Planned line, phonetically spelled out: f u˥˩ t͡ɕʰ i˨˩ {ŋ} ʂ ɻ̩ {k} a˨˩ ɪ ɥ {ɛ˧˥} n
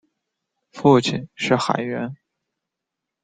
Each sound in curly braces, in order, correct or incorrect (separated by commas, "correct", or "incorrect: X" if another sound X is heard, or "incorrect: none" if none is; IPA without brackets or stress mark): incorrect: n, incorrect: x, correct